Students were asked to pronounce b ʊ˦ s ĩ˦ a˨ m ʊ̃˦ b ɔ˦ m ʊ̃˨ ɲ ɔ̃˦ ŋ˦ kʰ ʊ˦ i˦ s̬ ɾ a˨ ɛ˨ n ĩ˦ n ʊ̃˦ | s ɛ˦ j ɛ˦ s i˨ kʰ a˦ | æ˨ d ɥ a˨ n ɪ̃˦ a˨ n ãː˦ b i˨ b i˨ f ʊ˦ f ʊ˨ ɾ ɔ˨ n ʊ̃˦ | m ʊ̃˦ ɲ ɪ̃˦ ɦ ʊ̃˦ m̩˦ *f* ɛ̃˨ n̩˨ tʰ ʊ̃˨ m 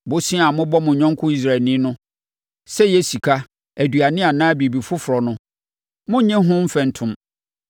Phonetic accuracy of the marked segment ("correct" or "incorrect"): correct